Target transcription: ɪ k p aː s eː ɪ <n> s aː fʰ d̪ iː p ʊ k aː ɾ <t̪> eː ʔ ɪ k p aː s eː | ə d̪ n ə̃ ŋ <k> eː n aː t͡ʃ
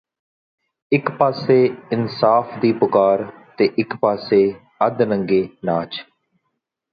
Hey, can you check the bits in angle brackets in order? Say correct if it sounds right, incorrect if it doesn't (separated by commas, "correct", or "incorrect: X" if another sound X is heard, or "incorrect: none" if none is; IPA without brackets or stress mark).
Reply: correct, correct, incorrect: ɡ